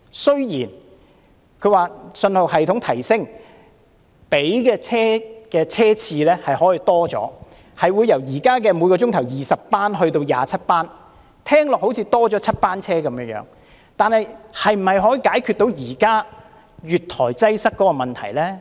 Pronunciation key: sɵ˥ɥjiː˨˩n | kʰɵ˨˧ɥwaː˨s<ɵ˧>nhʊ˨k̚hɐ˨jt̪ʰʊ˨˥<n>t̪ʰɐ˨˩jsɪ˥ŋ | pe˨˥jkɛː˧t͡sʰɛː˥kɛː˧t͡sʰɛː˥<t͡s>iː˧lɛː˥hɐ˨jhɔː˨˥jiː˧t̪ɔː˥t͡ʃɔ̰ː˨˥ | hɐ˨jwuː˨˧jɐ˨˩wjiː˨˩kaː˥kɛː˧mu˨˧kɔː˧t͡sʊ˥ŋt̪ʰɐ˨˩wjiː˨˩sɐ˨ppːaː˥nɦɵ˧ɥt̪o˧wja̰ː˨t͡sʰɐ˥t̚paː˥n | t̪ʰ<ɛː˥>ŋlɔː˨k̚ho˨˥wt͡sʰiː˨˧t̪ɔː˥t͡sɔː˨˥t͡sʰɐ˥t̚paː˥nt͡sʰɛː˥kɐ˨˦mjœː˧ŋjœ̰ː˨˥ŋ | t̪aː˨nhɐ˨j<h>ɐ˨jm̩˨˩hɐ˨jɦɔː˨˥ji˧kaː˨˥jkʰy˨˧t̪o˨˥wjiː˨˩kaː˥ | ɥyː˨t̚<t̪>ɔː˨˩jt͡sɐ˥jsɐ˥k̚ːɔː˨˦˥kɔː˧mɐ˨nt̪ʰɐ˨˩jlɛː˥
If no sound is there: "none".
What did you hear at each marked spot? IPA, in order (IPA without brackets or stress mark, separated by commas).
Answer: ɵ˧, ŋ, t͡sʰ, ɛː˥, h, t̪ʰ